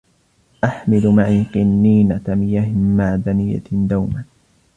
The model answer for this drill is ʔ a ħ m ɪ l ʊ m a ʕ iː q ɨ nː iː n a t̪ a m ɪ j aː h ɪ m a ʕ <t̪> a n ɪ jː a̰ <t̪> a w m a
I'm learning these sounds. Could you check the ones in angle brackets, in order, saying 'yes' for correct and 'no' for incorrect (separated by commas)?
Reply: no, no